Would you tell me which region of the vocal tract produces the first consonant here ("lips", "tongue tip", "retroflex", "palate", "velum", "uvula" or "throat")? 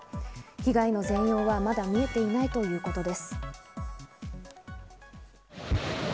palate